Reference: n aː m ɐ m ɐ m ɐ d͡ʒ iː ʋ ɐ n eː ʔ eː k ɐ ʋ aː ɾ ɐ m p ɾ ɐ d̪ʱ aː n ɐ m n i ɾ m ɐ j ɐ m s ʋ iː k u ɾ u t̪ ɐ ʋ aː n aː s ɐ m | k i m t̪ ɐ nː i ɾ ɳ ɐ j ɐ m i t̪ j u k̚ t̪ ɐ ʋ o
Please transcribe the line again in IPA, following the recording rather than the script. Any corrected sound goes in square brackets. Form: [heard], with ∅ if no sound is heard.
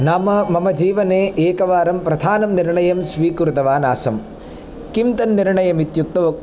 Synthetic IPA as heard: n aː m ɐ m ɐ m ɐ d͡ʒ iː ʋ ɐ n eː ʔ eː k ɐ ʋ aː ɾ ɐ m p ɾ ɐ d̪ʱ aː n ɐ m n i ɾ [ɳ] ɐ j ɐ m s ʋ iː k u ɾ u t̪ ɐ ʋ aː n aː s ɐ m | k i m t̪ ɐ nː i ɾ ɳ ɐ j ɐ m i t̪ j u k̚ t̪ ɐ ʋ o